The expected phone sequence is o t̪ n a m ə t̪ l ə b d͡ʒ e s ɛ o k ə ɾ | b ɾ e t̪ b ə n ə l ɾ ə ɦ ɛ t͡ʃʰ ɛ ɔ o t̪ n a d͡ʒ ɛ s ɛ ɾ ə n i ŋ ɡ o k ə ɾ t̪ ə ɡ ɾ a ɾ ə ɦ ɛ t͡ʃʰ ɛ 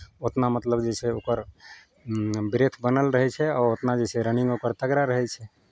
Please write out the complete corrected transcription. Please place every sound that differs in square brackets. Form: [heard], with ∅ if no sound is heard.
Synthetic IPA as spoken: o t̪ n a m ə t̪ l ə b d͡ʒ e s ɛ o k ə ɾ | b ɾ e [t̪ʰ] b ə n ə l ɾ ə ɦ ɛ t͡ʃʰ ɛ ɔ o t̪ n a d͡ʒ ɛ s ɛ ɾ ə n i ŋ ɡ o k ə ɾ t̪ ə ɡ ɾ a ɾ ə ɦ ɛ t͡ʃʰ ɛ